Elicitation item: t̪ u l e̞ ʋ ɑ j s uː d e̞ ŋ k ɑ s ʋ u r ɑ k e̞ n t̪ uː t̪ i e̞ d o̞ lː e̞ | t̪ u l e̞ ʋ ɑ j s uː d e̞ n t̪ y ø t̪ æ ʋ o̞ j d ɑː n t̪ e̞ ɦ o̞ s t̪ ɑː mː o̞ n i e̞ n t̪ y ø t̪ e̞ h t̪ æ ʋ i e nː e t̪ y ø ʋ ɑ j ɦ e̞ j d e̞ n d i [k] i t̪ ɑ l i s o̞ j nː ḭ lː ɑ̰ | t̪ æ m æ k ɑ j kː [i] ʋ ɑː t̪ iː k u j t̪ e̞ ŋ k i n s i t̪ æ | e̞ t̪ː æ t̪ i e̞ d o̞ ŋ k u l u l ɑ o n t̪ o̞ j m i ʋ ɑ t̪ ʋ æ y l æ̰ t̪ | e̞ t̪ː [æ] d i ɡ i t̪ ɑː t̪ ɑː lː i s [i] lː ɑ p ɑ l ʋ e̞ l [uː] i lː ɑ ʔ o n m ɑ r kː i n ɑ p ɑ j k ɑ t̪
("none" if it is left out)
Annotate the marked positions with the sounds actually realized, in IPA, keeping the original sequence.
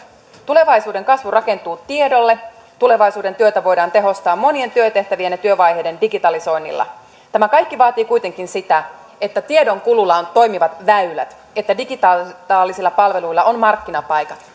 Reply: ɡ, i, æ, i, u

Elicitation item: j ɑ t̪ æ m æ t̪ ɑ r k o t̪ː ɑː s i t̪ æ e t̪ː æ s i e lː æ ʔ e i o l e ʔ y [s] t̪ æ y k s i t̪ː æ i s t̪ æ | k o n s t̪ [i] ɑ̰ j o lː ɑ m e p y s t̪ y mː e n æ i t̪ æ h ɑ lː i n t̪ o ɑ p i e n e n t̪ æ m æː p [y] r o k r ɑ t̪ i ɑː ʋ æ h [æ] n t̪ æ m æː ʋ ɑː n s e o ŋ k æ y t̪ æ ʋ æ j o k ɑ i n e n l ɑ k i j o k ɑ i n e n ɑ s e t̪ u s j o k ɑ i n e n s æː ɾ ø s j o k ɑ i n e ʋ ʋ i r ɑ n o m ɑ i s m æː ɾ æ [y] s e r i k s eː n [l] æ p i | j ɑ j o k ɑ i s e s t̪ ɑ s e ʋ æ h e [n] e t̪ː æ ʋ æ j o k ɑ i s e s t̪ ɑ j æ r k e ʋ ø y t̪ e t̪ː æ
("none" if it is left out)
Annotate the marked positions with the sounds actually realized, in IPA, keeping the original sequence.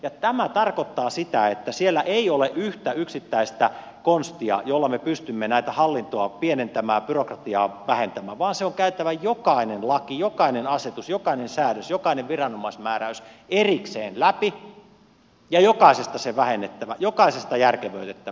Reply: h, i, y, e, y, l, nː

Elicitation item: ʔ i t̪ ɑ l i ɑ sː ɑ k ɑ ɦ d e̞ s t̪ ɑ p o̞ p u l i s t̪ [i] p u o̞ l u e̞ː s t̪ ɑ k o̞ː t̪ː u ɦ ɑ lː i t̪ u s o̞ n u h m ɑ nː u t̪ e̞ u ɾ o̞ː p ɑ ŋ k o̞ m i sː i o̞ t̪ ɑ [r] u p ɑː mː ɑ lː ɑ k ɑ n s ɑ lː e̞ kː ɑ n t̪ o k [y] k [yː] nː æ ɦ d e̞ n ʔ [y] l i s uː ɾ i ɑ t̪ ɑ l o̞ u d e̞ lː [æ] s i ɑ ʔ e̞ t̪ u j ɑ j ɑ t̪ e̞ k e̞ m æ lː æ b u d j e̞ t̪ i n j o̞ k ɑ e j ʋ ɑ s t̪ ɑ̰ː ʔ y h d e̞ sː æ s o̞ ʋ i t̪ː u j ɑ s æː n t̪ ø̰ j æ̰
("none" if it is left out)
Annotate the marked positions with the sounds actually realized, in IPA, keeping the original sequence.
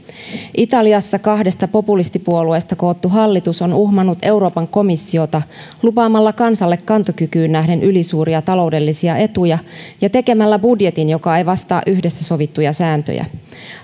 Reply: i, l, y, yː, y, i

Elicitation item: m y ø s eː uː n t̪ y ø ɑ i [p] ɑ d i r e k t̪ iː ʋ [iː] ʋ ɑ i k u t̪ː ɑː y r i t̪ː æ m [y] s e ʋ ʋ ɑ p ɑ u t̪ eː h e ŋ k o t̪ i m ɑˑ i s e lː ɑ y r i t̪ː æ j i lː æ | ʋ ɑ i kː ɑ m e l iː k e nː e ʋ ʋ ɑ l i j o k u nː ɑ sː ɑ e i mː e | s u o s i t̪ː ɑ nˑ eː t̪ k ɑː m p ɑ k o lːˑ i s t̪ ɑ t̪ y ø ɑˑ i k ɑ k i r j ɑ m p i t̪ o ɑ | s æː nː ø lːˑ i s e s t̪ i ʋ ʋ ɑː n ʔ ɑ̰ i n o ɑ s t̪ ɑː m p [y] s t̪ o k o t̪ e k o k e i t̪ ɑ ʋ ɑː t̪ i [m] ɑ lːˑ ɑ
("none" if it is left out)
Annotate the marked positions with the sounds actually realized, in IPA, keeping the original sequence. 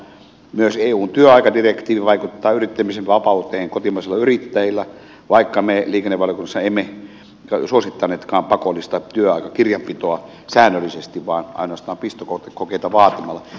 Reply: k, i, i, i, m

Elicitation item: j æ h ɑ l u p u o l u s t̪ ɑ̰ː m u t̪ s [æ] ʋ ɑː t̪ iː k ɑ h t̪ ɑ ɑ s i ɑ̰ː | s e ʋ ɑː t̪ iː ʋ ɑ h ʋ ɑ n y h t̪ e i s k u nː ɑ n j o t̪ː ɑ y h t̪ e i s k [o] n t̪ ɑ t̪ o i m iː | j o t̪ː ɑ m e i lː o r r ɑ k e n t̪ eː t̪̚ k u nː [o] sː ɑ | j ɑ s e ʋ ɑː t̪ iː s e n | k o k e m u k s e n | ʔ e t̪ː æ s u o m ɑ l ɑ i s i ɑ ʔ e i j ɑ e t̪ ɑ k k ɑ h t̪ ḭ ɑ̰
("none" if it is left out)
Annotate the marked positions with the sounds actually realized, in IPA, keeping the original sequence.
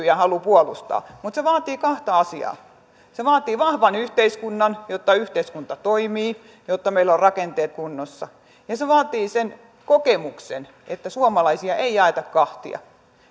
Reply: e, u, o

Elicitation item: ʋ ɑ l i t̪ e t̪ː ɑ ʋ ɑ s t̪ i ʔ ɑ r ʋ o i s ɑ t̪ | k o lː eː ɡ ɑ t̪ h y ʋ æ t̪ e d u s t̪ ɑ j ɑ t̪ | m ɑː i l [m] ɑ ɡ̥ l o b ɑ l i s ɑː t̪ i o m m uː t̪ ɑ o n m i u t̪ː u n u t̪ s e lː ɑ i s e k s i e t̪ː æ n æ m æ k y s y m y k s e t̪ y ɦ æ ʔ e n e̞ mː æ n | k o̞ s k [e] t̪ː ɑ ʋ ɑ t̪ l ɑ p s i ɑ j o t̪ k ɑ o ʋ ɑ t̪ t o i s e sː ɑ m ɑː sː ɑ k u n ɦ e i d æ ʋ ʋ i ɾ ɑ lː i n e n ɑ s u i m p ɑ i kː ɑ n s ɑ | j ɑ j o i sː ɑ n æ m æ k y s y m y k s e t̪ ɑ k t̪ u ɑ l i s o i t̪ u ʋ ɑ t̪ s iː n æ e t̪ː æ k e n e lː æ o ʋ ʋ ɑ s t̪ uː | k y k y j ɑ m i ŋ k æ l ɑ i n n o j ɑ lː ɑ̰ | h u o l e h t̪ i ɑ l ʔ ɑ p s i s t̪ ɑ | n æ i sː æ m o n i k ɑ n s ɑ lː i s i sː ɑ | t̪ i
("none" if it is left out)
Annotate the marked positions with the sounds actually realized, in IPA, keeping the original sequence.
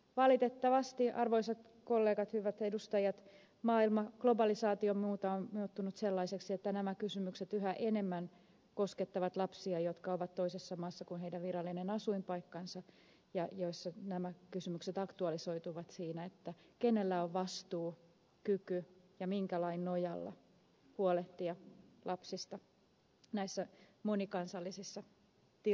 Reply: m, e

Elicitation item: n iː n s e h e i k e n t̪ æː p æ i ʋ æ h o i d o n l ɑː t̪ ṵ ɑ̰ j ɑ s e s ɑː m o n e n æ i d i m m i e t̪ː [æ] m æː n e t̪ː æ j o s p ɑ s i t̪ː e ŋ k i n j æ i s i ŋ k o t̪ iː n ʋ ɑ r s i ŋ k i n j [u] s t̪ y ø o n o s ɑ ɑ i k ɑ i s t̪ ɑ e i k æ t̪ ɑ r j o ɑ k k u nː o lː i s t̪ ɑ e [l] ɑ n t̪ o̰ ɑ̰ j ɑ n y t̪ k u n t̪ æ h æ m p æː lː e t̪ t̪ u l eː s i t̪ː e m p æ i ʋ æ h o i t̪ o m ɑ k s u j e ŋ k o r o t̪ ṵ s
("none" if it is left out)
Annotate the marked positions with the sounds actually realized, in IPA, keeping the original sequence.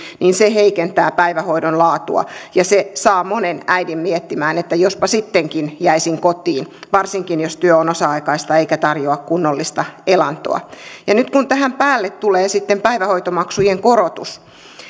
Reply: i, o, l

